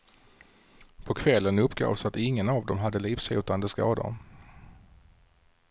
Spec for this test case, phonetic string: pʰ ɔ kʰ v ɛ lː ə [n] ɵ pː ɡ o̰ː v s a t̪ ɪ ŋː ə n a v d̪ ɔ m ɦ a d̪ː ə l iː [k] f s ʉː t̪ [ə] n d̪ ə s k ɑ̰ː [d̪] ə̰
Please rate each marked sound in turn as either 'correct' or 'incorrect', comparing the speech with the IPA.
correct, incorrect, incorrect, correct

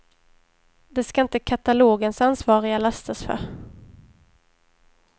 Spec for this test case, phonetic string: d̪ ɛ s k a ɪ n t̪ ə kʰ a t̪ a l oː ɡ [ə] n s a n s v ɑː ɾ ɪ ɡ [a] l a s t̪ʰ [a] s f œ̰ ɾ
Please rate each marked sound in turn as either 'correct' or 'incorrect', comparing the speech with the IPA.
correct, correct, correct

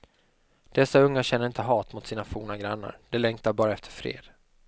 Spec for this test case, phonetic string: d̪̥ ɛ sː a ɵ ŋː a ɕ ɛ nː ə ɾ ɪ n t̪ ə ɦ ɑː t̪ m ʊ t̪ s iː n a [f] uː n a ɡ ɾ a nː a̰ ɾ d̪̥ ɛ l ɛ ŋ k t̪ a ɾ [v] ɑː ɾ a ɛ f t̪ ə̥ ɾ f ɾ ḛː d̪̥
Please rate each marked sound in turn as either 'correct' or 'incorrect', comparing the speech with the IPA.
correct, incorrect

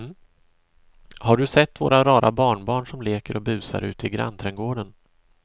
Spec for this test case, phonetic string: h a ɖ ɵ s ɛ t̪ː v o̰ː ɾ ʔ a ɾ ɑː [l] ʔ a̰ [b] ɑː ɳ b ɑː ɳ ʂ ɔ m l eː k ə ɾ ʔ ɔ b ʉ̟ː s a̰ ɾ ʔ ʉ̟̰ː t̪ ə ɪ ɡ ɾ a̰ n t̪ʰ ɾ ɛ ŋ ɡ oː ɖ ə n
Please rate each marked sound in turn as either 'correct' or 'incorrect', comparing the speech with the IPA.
incorrect, correct

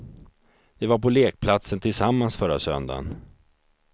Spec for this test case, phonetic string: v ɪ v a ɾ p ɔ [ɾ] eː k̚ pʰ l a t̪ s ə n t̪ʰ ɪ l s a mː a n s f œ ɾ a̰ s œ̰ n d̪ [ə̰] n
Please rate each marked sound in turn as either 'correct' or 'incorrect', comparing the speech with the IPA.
incorrect, incorrect

